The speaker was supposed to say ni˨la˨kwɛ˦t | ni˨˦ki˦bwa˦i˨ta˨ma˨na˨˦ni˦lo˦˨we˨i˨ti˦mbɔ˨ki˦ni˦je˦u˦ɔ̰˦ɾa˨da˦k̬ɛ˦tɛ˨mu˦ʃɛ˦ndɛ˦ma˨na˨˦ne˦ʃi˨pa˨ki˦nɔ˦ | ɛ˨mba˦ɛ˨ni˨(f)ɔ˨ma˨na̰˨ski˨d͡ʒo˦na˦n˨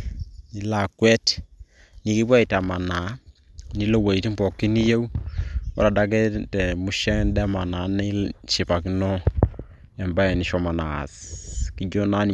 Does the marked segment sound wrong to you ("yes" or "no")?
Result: yes